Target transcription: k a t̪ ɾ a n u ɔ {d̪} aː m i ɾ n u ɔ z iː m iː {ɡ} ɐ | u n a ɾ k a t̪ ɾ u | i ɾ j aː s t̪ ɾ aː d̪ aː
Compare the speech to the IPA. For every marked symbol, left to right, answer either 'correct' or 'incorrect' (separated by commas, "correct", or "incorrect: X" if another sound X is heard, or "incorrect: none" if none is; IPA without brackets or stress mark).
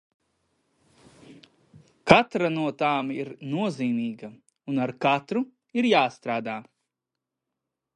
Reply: incorrect: t̪, correct